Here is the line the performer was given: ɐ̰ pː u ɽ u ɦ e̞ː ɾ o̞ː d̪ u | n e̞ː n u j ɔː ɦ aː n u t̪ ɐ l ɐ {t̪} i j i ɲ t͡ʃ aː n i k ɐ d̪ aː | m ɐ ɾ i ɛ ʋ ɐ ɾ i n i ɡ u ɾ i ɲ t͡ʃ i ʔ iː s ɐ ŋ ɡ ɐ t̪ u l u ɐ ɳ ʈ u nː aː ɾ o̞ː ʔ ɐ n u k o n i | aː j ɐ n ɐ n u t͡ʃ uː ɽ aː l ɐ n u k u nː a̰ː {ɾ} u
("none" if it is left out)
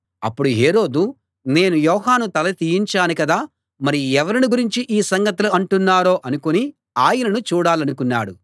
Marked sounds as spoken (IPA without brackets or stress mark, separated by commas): t̪, ɽ